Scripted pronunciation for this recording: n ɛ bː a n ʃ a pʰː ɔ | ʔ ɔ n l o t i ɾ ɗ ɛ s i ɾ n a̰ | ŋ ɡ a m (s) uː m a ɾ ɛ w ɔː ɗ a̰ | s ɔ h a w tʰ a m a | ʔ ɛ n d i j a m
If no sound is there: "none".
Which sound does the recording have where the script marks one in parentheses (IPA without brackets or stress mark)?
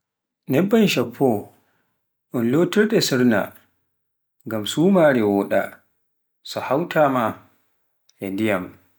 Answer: s